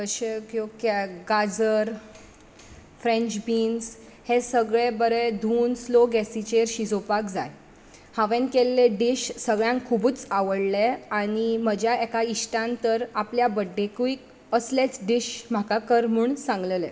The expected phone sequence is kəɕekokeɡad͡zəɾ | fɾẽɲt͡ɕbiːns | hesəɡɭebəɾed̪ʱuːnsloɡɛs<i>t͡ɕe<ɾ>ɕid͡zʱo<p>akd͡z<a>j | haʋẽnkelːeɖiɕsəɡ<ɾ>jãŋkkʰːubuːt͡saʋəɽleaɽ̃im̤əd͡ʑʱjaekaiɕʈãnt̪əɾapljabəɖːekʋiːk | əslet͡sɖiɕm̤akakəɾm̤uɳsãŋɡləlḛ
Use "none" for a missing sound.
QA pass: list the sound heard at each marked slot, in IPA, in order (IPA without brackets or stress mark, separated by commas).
i, ɾ, p, a, ɭ